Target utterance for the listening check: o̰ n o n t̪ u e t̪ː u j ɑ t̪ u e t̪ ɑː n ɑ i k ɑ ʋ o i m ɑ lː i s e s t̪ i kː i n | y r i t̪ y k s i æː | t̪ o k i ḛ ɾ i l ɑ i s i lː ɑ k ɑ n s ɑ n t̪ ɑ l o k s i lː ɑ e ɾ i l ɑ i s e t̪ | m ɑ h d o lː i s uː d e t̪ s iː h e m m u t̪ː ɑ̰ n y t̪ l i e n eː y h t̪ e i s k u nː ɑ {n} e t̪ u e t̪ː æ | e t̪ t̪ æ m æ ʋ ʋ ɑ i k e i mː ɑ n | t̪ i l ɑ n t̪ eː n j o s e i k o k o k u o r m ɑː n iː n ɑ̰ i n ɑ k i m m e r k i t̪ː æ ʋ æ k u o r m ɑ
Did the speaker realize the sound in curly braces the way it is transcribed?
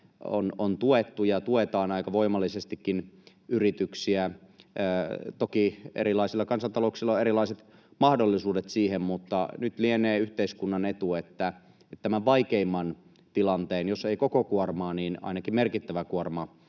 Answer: yes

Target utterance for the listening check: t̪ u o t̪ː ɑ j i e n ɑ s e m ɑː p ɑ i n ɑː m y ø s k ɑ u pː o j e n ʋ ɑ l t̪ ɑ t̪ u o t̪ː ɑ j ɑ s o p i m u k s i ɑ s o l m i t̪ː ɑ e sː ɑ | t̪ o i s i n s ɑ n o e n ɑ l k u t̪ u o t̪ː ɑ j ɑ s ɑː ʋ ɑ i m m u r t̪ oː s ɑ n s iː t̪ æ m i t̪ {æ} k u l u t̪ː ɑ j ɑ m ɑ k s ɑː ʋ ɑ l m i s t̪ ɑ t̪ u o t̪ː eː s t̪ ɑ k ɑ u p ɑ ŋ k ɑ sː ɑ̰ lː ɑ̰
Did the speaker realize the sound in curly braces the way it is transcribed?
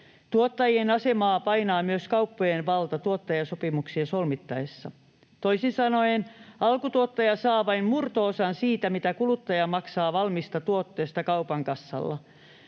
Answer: yes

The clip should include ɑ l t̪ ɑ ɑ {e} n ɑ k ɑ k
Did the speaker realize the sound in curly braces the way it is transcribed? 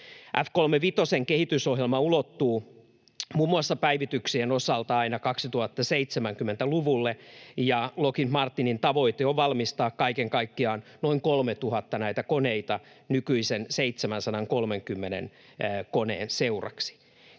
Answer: no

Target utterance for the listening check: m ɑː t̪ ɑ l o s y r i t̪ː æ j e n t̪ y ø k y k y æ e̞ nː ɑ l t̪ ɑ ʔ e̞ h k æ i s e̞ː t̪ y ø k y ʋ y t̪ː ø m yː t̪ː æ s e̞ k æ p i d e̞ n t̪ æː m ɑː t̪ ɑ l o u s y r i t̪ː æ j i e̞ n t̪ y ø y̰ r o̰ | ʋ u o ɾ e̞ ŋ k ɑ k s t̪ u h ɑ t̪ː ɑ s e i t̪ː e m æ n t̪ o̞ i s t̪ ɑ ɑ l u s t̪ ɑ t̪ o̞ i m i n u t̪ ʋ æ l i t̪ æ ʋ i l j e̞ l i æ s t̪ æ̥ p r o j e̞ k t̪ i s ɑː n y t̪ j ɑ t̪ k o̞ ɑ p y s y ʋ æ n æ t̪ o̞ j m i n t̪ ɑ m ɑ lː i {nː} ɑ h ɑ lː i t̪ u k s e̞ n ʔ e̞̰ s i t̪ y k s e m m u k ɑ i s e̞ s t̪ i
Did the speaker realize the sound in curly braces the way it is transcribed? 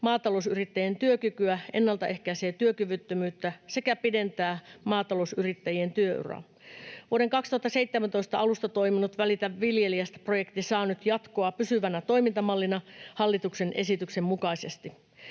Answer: no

